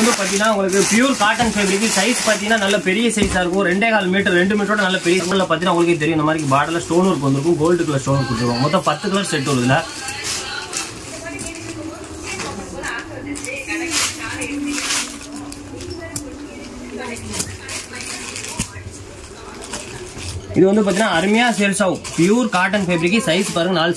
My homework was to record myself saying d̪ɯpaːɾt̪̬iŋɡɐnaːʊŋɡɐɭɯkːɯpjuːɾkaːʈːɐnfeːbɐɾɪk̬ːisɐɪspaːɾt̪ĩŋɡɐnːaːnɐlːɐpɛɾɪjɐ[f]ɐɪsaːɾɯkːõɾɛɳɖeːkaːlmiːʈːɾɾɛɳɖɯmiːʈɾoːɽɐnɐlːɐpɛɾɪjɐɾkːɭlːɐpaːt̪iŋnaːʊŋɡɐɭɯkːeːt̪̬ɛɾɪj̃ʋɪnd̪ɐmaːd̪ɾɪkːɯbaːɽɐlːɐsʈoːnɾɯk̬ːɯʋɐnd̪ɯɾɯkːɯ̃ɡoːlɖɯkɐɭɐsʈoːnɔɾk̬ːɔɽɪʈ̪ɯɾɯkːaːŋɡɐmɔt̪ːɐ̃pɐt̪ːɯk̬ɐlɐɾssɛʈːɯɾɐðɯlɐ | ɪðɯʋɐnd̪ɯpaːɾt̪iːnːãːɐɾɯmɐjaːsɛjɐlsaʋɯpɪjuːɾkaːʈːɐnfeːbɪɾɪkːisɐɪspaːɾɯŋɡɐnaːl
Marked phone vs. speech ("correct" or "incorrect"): incorrect